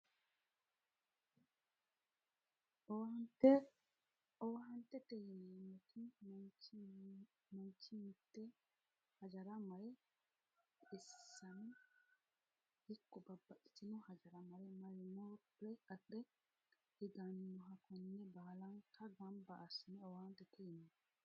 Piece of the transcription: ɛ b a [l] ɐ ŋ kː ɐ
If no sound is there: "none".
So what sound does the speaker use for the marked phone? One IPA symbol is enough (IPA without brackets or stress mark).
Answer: l